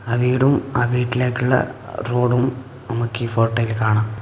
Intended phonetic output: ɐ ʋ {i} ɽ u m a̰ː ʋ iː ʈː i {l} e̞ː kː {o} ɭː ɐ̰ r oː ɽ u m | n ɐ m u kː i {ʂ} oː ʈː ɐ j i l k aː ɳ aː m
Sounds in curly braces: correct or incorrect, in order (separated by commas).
incorrect, correct, incorrect, incorrect